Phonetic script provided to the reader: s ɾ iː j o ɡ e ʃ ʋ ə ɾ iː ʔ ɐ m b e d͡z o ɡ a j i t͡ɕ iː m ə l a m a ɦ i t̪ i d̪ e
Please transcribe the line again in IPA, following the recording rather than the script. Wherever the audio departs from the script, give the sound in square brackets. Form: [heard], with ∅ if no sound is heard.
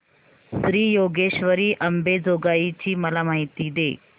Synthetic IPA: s ɾ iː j o ɡ e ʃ ʋ ə ɾ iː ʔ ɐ m b e d͡z o ɡ a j i t͡ɕ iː m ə l a m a ɦ i t̪ i d̪ e